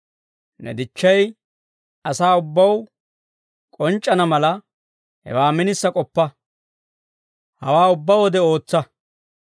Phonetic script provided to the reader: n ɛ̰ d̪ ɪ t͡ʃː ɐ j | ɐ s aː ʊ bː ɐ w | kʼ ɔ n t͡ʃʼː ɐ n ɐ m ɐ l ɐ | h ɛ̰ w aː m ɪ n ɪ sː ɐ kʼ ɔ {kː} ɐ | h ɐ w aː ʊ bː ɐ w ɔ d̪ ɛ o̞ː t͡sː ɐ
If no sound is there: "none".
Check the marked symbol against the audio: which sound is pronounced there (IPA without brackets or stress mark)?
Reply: pː